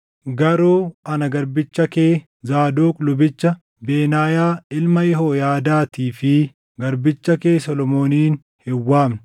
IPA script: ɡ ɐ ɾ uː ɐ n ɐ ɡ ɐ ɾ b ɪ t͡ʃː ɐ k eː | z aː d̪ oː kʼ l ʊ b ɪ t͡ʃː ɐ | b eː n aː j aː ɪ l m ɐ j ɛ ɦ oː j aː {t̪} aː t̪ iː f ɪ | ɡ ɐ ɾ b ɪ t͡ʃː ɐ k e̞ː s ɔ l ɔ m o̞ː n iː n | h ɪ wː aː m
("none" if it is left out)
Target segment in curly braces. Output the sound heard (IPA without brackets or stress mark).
d̪